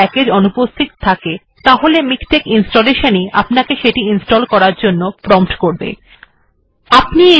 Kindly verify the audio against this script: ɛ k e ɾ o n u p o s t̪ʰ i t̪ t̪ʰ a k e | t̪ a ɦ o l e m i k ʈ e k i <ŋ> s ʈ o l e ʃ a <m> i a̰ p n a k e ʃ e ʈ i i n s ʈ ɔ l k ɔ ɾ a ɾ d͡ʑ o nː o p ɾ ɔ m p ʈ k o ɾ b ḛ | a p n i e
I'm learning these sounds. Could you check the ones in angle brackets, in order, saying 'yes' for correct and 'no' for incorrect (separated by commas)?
no, no